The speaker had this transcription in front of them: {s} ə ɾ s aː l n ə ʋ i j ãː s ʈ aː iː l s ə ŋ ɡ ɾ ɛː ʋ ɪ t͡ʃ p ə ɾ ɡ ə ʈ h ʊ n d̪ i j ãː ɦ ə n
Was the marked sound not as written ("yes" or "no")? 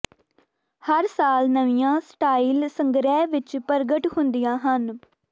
yes